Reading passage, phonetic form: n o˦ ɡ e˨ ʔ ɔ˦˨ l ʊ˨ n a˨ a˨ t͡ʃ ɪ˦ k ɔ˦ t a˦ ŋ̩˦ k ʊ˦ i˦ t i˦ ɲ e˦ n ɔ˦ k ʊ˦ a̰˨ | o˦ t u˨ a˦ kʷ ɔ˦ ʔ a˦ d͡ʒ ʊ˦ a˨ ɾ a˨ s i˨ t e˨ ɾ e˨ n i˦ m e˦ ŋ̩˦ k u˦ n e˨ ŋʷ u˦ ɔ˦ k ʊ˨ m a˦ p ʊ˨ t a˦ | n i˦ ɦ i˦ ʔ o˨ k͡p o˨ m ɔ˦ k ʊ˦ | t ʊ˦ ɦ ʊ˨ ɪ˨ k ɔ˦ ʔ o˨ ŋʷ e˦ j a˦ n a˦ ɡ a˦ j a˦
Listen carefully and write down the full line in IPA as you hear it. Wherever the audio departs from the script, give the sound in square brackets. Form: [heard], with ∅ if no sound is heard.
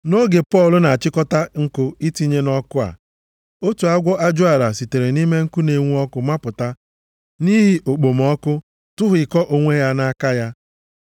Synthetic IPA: n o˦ ɡ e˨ [p] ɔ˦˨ l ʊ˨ n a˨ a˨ t͡ʃ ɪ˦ k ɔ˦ t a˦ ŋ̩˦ k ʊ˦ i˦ t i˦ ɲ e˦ n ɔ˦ k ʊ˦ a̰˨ | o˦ t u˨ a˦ [ɡʷ] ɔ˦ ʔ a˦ d͡ʒ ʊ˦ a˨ ɾ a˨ s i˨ t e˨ ɾ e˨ n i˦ m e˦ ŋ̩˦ k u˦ n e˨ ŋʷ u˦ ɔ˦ k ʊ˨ m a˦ p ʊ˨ t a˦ | n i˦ ɦ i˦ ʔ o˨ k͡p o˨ m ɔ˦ k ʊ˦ | t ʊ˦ ɦ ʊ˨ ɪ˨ k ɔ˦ ʔ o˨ ŋʷ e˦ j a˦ n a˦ [k] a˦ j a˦